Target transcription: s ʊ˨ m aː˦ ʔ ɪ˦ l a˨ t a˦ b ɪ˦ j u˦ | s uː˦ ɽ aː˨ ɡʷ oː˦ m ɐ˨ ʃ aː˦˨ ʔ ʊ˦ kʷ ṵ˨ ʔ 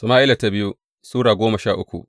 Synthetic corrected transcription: s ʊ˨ m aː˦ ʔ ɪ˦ l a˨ t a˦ b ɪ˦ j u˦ | s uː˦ ɽ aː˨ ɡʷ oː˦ m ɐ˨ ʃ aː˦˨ ʔ ʊ˦ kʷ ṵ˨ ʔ